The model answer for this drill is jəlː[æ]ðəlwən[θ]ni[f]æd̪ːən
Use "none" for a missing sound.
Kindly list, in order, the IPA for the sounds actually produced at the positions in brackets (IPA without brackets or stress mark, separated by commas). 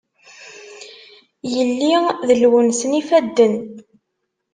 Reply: i, s, f